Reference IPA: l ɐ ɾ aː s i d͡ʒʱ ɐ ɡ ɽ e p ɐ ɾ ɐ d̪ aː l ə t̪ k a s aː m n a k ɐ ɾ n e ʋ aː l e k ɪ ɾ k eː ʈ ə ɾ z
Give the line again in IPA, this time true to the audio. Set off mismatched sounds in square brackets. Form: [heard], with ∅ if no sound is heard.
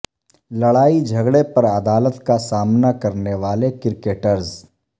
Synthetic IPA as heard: l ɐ [ɽ] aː [∅] i d͡ʒʱ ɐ ɡ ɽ e p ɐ ɾ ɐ d̪ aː l ə t̪ k a s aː m n a k ɐ ɾ n e ʋ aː l e k ɪ ɾ k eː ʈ ə ɾ z